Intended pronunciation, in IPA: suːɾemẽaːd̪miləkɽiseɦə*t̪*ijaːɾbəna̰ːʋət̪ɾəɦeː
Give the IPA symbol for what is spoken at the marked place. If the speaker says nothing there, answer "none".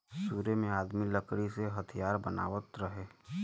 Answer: t̪ʰ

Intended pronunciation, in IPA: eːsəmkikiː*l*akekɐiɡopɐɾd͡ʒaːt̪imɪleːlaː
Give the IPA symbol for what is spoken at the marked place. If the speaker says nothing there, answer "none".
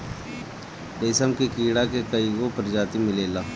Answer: ɽ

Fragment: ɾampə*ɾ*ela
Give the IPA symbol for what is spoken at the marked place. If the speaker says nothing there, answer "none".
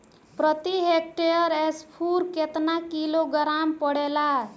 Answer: ɽ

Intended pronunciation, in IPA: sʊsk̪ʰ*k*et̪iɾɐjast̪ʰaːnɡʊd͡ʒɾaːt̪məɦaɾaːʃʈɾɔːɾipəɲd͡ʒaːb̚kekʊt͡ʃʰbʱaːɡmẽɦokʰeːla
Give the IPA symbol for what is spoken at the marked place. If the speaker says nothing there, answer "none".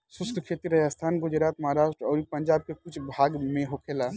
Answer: kʰ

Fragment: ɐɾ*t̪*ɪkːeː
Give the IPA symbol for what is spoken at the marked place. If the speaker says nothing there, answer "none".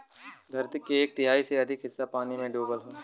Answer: t̪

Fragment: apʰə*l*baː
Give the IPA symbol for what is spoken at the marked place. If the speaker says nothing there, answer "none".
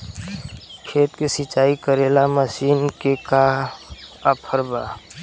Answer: ɾ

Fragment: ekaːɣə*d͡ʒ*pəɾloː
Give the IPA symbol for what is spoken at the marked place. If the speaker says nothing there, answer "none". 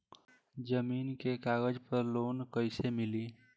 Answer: d͡ʒ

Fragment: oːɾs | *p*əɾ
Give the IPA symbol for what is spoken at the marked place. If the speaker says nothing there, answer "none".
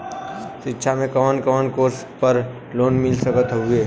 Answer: p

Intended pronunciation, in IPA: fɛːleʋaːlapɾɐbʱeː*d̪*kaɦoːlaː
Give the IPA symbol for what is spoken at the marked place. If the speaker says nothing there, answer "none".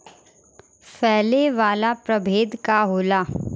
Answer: d̪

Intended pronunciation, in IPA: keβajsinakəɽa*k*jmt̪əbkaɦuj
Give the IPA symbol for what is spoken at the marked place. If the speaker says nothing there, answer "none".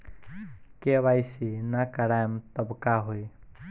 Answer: none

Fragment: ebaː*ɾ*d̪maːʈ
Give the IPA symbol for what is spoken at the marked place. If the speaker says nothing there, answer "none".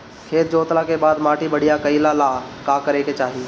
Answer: none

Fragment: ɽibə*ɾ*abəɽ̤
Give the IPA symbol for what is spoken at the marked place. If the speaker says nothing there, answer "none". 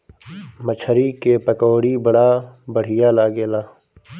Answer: ɽ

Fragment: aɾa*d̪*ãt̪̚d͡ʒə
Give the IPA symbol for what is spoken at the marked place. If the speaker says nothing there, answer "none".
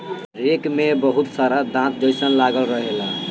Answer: d̪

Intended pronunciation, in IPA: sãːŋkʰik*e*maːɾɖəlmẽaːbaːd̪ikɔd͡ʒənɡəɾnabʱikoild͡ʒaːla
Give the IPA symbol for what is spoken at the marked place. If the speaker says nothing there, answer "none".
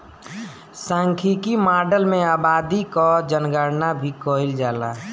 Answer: i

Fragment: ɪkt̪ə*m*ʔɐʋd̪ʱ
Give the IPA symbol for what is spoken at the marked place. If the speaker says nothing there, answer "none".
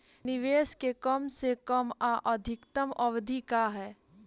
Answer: m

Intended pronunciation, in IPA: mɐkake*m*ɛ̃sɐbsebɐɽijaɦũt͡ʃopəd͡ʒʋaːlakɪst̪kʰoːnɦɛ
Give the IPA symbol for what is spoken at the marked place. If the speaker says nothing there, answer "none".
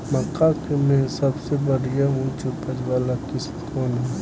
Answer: m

